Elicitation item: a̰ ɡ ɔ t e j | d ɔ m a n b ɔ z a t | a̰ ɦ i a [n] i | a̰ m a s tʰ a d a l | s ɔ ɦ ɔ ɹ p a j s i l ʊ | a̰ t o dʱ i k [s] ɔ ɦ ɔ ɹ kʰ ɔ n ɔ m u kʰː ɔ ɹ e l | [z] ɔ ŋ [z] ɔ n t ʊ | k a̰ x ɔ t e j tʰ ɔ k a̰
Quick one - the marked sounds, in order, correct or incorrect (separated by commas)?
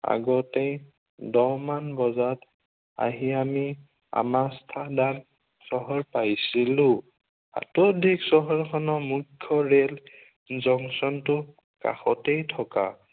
incorrect, correct, correct, incorrect